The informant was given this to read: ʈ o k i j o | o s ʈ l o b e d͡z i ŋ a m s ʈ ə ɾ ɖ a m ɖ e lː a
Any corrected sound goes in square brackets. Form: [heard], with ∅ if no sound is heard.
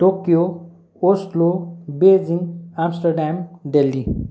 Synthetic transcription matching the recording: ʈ o k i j o | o s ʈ l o b e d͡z i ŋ a m s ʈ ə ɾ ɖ a m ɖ e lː [i]